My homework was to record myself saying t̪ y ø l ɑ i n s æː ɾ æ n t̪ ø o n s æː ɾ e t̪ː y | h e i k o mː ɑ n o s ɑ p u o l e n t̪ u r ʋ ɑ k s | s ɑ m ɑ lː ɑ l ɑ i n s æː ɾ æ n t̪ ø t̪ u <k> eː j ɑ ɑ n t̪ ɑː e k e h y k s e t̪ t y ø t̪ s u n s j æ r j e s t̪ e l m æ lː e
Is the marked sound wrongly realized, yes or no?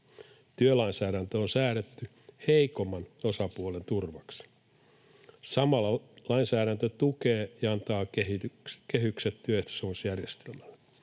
no